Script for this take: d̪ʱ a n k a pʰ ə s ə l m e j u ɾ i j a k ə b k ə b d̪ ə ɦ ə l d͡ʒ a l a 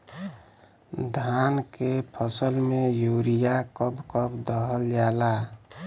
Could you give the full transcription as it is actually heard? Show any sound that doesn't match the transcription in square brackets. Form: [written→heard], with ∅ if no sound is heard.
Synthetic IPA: d̪ʱ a n k [a→e] pʰ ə s ə l m e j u ɾ i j a k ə b k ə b d̪ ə ɦ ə l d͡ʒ a l a